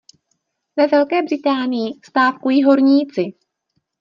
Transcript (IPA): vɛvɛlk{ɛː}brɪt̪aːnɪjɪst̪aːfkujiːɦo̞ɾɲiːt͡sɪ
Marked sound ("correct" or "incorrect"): correct